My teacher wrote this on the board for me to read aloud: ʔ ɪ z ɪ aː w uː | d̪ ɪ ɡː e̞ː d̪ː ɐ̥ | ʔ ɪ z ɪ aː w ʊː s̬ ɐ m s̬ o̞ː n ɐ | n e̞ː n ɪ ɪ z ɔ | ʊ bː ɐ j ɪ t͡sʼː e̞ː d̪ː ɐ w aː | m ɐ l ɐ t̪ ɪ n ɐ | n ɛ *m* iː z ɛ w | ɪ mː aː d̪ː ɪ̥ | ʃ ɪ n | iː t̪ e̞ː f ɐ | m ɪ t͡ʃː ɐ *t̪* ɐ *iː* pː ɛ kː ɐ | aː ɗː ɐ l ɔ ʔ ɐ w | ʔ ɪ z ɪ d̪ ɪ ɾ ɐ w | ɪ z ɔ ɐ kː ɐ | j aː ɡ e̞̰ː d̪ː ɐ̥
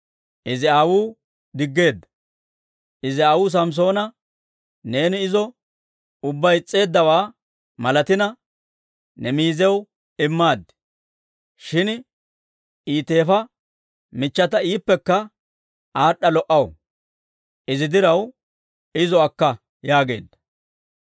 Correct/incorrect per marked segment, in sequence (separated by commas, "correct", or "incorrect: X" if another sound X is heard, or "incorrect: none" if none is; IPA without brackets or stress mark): correct, correct, correct